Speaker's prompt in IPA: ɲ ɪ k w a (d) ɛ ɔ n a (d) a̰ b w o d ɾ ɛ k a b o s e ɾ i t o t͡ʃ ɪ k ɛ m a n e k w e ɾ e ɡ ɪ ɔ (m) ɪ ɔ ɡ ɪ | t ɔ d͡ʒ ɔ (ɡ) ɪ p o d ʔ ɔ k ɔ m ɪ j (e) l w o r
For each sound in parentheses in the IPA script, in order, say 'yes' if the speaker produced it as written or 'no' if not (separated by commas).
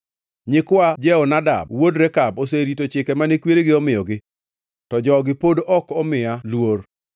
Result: no, yes, yes, yes, no